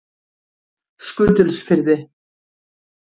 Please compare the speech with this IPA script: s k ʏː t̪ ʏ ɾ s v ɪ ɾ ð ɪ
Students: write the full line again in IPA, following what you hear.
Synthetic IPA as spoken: s k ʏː t̪ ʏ l s f ɪ ɾ ð ɪ